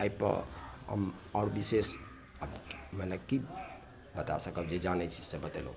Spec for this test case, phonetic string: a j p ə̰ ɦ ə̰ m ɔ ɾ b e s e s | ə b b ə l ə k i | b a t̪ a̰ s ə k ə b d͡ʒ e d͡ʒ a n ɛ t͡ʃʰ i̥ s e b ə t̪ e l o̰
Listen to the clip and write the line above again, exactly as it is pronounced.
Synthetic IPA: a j p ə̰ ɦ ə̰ m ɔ ɾ b i s e s | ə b m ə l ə k i | b ə t̪ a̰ s ə k ə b d͡ʒ e d͡ʒ a n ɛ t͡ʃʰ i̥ s e b ə t̪ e l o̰

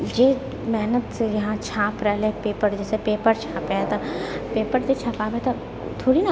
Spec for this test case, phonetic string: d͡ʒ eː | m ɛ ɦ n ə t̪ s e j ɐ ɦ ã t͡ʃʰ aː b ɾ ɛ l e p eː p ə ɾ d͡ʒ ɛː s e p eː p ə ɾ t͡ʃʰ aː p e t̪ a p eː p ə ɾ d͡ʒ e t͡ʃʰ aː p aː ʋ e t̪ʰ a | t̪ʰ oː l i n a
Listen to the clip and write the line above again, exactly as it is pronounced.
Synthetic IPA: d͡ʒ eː | m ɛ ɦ n ə t̪ s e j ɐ ɦ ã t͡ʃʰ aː p ɾ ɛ l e p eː p ə ɾ d͡ʒ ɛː s e p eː p ə ɾ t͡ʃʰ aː p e t̪ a p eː p ə ɾ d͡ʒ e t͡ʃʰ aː p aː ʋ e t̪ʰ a | t̪ʰ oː ɽ i n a

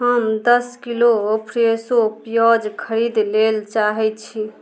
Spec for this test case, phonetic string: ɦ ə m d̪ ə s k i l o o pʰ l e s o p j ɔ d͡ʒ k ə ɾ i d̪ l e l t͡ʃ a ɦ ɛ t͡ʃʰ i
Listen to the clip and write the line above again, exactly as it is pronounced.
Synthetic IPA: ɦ ə m d̪ ə s k i l o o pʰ ɾ e s o p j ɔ d͡ʒ kʰ ə ɾ i d̪ l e l t͡ʃ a ɦ ɛ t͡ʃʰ i

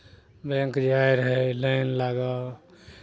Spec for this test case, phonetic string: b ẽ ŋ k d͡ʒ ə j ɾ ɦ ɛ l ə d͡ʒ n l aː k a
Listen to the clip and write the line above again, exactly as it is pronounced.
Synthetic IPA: b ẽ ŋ k d͡ʒ a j ɾ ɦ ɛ l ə n l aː ɡ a

